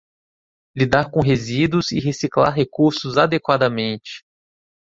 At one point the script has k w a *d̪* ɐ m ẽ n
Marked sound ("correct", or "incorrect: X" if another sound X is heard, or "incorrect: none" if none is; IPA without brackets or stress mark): correct